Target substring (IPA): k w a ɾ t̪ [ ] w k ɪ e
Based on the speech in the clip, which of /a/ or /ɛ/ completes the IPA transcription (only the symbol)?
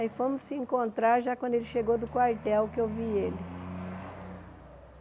ɛ